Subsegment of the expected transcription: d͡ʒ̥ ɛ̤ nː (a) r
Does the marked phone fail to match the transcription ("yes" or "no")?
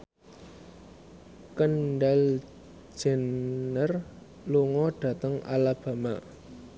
yes